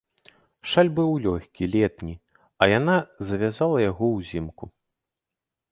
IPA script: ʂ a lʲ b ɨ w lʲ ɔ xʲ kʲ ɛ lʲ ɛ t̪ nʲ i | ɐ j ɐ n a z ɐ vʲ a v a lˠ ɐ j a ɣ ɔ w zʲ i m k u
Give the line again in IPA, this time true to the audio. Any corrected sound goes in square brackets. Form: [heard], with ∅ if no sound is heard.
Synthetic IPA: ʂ a lʲ b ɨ w lʲ ɔ xʲ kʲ [i] lʲ ɛ t̪ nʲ i | ɐ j [a] n a z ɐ vʲ a [z] a lˠ ɐ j a ɣ ɔ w zʲ i m k u

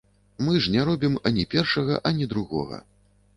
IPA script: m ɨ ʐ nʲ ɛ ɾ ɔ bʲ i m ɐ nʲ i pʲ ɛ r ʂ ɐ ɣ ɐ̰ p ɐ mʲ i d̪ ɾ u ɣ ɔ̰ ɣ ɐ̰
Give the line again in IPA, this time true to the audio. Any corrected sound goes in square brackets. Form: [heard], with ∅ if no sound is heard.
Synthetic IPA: m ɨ ʐ nʲ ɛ ɾ ɔ bʲ i m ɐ nʲ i pʲ ɛ r ʂ ɐ ɣ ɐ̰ [ʔ] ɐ [nʲ] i d̪ ɾ u ɣ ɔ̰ ɣ ɐ̰

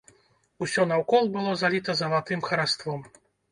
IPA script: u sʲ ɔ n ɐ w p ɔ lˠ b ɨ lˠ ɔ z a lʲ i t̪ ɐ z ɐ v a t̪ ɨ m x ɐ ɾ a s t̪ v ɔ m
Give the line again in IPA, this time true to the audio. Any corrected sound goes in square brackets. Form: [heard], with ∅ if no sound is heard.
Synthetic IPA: u sʲ ɔ n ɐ w [k] ɔ lˠ b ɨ lˠ ɔ z a lʲ i t̪ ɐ z ɐ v a t̪ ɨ m x ɐ ɾ a s t̪ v ɔ m

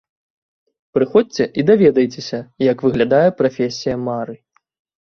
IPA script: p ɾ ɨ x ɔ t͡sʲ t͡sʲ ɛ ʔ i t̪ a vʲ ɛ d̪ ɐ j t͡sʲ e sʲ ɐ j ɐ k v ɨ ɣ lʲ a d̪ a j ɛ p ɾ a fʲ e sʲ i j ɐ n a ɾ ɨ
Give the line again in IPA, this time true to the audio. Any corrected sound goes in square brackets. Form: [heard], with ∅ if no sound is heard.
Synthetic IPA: p ɾ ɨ x ɔ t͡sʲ t͡sʲ ɛ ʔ i [d̪] a vʲ ɛ d̪ ɐ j t͡sʲ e sʲ ɐ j ɐ k v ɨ ɣ lʲ a d̪ a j ɛ p ɾ a fʲ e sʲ i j ɐ [m] a ɾ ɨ

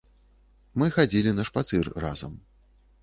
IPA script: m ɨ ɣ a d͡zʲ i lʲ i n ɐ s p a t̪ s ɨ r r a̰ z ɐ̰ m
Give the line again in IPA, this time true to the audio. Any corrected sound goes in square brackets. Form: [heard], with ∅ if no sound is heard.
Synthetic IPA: m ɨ [x] a d͡zʲ i lʲ i n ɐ [ʂ] p a t̪ s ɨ r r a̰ z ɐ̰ m

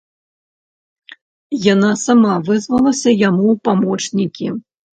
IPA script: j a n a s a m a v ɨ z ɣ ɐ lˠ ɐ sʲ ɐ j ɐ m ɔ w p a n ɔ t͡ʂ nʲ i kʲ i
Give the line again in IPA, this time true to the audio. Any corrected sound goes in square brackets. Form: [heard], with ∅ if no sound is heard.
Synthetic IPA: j a n a s a m a v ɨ z [v] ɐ lˠ ɐ sʲ ɐ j [a] m [u] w p a [m] ɔ t͡ʂ nʲ i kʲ i

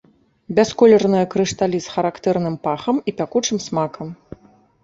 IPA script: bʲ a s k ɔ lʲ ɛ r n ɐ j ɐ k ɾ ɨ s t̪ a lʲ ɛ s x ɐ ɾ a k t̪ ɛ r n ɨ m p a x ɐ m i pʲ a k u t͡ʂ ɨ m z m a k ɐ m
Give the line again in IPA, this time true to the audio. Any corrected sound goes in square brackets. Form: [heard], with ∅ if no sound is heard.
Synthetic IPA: bʲ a s k ɔ lʲ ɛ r n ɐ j ɐ k ɾ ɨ [ʂ] t̪ a lʲ [i] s x ɐ ɾ a k t̪ ɛ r n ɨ m p a x ɐ m i pʲ a k u t͡ʂ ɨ m [s] m a k ɐ m

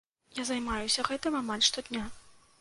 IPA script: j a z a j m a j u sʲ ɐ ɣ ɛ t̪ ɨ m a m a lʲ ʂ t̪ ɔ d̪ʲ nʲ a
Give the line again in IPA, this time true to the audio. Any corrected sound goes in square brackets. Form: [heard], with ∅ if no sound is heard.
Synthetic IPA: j a z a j m a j u sʲ ɐ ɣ ɛ t̪ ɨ m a m a lʲ ʂ t̪ ɔ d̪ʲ nʲ a

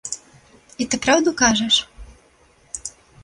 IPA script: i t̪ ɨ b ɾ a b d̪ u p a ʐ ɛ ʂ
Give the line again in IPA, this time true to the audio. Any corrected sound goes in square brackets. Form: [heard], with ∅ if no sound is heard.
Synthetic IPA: i t̪ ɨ [p] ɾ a [w] d̪ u [k] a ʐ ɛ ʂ

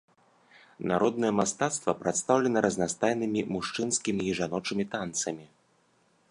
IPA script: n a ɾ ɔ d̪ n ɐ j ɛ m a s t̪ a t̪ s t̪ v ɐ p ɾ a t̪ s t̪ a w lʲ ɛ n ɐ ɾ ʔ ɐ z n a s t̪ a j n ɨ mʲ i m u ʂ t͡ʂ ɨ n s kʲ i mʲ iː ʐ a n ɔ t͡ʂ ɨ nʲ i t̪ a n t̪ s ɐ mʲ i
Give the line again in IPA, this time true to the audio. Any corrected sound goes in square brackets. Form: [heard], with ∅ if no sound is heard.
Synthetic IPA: n a ɾ ɔ d̪ n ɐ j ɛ m a s t̪ a t̪ s t̪ v ɐ p ɾ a t̪ s t̪ a w lʲ ɛ n ɐ ɾ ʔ ɐ z n a s t̪ a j n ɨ mʲ i m u ʂ t͡ʂ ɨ n s kʲ i mʲ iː ʐ a n ɔ t͡ʂ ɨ [mʲ] i t̪ a n t̪ s ɐ mʲ i

